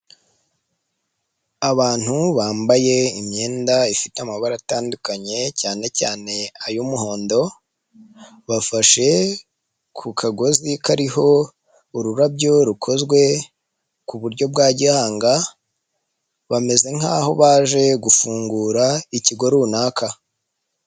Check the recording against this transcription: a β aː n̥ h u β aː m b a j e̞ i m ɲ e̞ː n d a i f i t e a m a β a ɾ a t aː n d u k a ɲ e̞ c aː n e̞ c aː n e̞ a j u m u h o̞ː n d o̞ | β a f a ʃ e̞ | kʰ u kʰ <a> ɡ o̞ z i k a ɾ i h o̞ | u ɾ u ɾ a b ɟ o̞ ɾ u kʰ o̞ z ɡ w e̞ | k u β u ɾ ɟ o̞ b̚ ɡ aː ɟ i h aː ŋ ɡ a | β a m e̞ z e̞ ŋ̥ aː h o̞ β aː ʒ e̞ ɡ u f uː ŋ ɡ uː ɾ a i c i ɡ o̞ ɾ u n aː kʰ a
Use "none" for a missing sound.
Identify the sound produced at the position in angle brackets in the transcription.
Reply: a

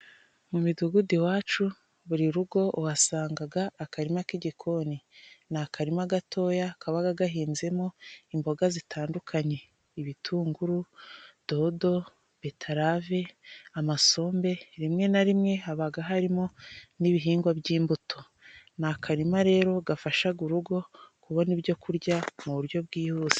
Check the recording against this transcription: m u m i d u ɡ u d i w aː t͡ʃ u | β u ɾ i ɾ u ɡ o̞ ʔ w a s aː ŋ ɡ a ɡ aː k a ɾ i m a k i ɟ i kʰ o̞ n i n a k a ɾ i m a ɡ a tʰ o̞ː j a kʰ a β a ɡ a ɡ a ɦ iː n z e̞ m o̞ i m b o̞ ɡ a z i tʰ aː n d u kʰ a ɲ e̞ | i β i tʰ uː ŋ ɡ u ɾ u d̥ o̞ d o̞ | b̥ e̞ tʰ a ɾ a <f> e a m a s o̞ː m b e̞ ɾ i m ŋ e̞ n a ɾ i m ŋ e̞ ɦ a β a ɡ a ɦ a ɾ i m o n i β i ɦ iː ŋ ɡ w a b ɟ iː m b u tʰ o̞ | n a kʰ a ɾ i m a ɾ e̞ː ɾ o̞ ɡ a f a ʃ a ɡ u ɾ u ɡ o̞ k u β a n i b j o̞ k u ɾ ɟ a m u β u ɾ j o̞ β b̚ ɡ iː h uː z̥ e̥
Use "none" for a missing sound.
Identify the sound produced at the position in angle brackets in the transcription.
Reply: v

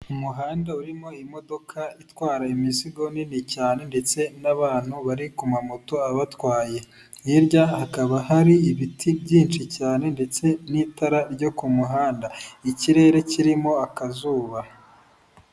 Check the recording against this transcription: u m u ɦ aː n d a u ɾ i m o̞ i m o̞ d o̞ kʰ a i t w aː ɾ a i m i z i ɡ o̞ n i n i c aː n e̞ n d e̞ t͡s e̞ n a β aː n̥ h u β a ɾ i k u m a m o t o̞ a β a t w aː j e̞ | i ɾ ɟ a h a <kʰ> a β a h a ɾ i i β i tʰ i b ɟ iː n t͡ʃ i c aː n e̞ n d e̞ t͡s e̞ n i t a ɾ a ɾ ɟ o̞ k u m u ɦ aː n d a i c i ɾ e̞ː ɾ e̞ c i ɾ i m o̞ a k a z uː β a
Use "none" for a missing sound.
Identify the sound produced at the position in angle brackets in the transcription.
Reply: k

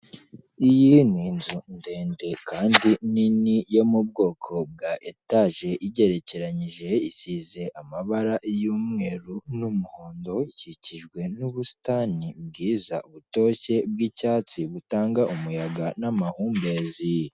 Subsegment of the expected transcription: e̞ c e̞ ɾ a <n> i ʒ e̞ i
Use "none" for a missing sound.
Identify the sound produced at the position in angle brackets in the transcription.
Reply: ɲ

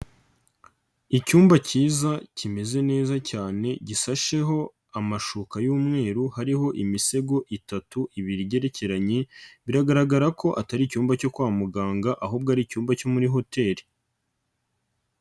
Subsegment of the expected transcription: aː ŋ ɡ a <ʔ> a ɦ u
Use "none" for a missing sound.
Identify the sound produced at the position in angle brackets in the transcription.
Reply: ʔ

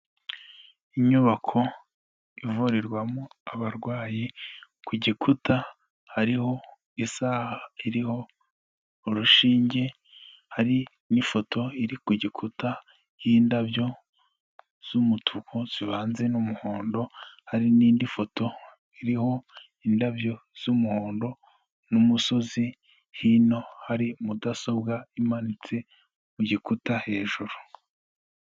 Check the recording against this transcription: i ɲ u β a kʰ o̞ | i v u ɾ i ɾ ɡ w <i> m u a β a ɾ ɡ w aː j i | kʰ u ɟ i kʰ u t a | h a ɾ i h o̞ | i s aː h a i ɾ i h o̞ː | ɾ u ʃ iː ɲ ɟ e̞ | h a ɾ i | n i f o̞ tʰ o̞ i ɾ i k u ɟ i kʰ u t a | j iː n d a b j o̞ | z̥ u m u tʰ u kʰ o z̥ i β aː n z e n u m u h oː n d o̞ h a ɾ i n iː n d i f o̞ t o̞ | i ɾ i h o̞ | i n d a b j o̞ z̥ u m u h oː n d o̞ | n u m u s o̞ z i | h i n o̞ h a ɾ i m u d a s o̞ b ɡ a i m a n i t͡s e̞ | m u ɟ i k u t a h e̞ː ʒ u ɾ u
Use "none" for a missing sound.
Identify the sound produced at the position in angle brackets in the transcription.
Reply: a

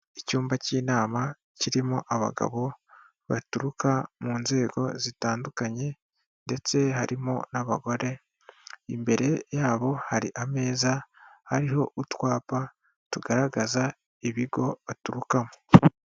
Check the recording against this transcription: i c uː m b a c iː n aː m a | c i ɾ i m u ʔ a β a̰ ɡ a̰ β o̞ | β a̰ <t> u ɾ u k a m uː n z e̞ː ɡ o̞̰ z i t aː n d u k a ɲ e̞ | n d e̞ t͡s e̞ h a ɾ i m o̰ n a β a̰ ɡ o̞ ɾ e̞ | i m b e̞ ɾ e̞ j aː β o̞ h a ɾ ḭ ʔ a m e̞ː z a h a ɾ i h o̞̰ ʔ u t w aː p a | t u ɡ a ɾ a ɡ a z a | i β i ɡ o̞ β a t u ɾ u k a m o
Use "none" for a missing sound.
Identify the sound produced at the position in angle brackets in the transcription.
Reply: t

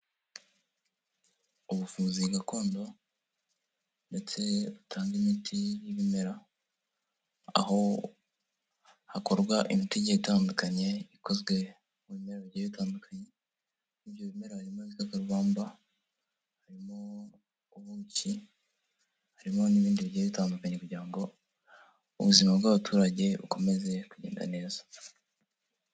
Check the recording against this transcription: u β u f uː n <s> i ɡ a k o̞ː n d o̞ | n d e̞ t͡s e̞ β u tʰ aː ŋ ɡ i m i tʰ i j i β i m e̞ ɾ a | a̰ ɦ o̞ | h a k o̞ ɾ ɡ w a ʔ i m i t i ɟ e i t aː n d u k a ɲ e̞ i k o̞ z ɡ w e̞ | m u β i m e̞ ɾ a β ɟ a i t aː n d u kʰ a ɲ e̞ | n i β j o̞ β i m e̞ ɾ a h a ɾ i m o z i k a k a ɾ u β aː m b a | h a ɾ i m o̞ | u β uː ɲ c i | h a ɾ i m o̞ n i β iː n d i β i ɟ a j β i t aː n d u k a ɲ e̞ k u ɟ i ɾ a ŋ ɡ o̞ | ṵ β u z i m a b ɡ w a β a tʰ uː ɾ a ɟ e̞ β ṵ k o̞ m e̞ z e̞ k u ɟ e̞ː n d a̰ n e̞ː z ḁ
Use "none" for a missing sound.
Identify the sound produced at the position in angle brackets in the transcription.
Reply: z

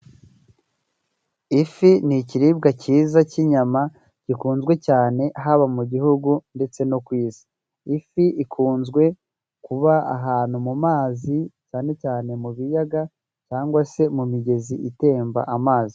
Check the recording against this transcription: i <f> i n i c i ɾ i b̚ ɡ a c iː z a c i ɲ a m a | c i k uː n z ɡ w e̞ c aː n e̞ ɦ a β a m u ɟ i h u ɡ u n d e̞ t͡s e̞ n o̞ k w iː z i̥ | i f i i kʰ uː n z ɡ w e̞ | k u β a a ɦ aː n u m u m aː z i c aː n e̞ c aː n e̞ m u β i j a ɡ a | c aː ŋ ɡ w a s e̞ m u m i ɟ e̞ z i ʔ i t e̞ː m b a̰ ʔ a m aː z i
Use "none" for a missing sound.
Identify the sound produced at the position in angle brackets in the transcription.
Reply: f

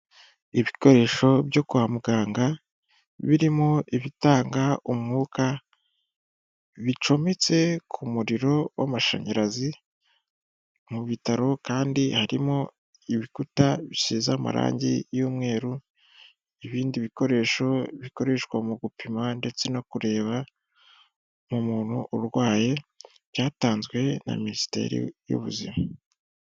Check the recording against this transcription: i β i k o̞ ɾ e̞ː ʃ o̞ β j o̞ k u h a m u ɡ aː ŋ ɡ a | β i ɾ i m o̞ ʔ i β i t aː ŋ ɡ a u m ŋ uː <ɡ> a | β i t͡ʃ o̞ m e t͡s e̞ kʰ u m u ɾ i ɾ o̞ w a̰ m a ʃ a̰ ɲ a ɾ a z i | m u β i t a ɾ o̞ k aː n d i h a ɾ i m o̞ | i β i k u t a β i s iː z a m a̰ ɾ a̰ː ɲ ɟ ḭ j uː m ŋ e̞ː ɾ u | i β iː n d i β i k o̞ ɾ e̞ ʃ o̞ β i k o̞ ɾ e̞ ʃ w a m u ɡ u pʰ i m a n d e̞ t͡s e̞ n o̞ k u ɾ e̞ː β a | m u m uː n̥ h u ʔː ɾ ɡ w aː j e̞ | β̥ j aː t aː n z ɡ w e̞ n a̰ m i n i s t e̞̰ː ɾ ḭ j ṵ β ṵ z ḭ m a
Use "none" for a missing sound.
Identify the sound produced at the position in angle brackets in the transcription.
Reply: k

